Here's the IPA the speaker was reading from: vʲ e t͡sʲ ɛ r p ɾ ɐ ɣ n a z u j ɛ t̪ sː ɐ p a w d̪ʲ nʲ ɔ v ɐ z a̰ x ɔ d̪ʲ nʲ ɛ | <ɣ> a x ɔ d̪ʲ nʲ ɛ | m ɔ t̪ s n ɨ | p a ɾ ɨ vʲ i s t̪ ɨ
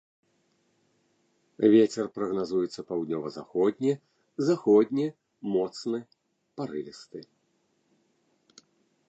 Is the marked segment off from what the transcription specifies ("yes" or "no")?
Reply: yes